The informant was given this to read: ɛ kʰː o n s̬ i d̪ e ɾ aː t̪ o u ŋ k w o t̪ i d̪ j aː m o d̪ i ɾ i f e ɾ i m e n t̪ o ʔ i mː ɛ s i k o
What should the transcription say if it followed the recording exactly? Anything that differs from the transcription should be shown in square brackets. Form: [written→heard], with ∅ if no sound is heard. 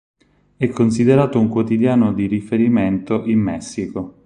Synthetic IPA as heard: ɛ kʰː o n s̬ i d̪ e ɾ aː t̪ o u ŋ k w o t̪ i d̪ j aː [m→n] o d̪ i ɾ i f e ɾ i m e n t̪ o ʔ i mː ɛ [s→sː] i k o

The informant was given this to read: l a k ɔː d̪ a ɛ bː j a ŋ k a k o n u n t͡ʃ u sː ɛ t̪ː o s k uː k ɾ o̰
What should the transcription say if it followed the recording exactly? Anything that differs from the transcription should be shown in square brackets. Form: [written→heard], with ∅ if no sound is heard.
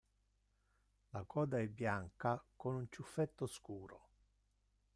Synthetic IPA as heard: l a k ɔː d̪ a ɛ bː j a ŋ k a k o n u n t͡ʃ u [sː→fː] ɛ t̪ː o s k uː [k→∅] ɾ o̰

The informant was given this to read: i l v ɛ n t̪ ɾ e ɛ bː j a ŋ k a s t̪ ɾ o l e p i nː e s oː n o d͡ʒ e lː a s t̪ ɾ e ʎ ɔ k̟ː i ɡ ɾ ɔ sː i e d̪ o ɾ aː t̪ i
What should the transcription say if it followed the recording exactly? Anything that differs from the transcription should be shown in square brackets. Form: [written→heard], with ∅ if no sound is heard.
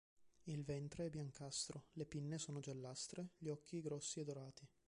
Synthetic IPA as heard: i l v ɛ n t̪ ɾ e ɛ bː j a ŋ k a s t̪ ɾ o l e p i nː e s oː n o d͡ʒ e lː a s t̪ ɾ e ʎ ɔ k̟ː i ɡ ɾ ɔ sː i e d̪ o ɾ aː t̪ i

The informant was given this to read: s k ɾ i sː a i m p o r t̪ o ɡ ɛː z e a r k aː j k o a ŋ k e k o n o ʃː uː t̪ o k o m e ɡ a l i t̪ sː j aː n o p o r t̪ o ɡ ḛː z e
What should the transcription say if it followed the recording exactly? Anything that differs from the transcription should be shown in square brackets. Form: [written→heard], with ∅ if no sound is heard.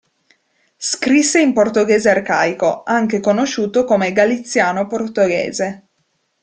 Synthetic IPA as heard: s k ɾ i sː [a→e] i m p o r t̪ o ɡ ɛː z e a r k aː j k o a ŋ k e k o n o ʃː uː t̪ o k o m e ɡ a l i t̪ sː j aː n o p o r t̪ o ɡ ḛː z e

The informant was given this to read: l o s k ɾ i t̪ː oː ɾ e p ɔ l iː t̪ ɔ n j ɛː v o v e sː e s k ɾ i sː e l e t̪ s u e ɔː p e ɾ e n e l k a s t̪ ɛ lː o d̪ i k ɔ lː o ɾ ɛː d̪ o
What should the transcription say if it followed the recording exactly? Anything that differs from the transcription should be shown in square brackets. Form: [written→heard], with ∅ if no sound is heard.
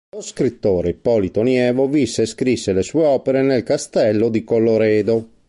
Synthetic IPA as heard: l o s k ɾ i t̪ː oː ɾ e p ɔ l [iː→i] t̪ [ɔ→o] n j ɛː v o v [e→i] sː e s k ɾ i sː e l e [t̪→∅] s u e ɔː p e ɾ e n e l k a s t̪ ɛ lː o d̪ i k [ɔ→o] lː o ɾ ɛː d̪ o

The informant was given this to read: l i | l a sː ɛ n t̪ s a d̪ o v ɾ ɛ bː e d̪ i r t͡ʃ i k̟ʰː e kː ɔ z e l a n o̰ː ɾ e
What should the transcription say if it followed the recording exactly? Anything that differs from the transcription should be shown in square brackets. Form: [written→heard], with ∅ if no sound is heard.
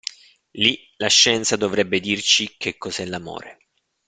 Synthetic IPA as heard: l i | l a [sː→ʃː] ɛ n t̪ s a d̪ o v ɾ ɛ bː e d̪ i r t͡ʃ i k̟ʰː e kː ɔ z [e→ɛ] l a [n→m] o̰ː ɾ e

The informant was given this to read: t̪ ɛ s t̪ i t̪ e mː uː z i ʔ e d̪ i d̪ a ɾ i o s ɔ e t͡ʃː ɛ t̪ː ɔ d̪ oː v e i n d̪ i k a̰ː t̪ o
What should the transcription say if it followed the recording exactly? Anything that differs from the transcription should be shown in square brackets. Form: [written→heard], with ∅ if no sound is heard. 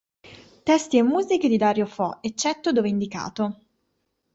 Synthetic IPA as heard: t̪ ɛ s t̪ i [t̪→∅] e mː uː z i [ʔ→k] e d̪ i d̪ a ɾ [i→j] o [s→f] ɔ e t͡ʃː ɛ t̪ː [ɔ→o] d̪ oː v e i n d̪ i k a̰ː t̪ o

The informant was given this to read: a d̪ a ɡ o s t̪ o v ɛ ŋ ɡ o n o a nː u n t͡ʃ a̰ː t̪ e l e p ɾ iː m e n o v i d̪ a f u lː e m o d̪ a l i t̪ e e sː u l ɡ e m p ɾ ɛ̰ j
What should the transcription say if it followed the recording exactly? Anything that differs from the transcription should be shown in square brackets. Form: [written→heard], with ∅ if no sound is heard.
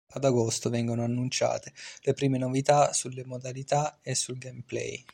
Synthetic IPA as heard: a d̪ a ɡ o s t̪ o v ɛ ŋ ɡ o n o a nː u n t͡ʃ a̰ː t̪ e l e p ɾ iː m e n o v i [d̪→t̪] a [f→s] u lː e m o d̪ a l i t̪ [e→a] e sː u l ɡ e m p [ɾ→l] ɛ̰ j

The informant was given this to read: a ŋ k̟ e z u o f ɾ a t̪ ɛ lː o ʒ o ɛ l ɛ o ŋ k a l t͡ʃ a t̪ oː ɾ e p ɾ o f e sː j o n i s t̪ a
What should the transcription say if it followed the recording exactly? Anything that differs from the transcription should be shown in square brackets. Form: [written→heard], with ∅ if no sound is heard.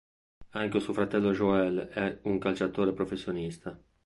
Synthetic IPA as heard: a ŋ k̟ e [z→s] u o f ɾ a t̪ ɛ lː o ʒ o ɛ l ɛ [o→u] ŋ k a l t͡ʃ a t̪ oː ɾ e p ɾ o f e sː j o n i s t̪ a

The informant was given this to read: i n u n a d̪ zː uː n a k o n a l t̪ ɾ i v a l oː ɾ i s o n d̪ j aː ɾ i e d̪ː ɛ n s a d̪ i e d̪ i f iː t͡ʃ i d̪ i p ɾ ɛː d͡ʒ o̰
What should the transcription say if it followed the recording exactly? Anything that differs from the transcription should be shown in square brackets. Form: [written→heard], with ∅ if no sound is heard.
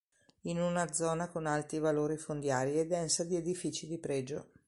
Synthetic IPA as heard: i n u n a d̪ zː [uː→ɔː] n a k o n a l t̪ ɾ i v a l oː ɾ i [s→f] o n d̪ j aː ɾ i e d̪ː ɛ n s a d̪ i e d̪ i f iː t͡ʃ i d̪ i p ɾ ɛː d͡ʒ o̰

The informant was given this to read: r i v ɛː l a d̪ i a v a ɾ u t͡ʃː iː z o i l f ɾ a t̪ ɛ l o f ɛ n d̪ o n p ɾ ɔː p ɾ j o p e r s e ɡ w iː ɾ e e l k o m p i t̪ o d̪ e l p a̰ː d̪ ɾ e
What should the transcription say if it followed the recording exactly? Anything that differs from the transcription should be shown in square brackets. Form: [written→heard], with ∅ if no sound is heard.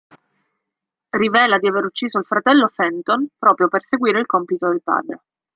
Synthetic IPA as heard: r i v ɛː l a d̪ i a v [a→e] ɾ u t͡ʃː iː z o i l f ɾ a t̪ ɛ [l→lː] o f ɛ n [d̪→t̪] o n p ɾ ɔː p ɾ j o p e r s e ɡ w iː ɾ e [e→i] l k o m p i t̪ o d̪ e l p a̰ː d̪ ɾ e

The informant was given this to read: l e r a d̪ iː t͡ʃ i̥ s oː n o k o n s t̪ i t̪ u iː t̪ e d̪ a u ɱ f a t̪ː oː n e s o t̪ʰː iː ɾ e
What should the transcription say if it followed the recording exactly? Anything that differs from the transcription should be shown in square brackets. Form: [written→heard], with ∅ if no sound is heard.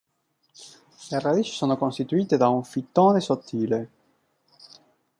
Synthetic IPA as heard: l e r a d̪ iː t͡ʃ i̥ s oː n o k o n s t̪ i t̪ u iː t̪ e d̪ a u ɱ f [a→i] t̪ː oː n e s o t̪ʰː iː [ɾ→l] e

